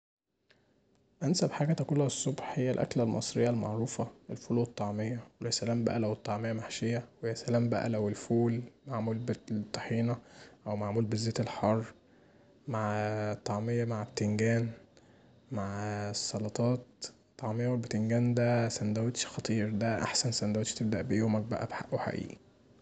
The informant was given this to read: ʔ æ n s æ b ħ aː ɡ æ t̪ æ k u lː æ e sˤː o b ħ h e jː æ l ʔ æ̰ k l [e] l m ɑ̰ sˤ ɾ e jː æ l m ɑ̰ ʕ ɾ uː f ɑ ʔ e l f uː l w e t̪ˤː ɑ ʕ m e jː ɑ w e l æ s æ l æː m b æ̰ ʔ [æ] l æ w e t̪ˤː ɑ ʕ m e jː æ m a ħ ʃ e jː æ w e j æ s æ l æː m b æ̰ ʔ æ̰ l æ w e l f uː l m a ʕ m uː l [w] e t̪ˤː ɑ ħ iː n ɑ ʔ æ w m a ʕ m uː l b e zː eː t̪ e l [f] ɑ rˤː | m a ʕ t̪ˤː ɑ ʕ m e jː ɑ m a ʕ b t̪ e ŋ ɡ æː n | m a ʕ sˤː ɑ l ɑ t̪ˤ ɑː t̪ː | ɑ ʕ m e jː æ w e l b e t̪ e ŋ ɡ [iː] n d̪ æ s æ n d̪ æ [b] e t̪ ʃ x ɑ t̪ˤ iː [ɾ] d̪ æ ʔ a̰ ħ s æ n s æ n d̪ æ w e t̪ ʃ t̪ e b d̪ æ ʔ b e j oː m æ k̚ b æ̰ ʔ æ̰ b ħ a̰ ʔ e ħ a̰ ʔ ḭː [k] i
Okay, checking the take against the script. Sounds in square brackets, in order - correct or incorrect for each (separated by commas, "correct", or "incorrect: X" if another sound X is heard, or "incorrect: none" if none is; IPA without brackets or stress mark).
incorrect: æ, correct, incorrect: b, incorrect: ħ, incorrect: æː, incorrect: w, correct, incorrect: ʔ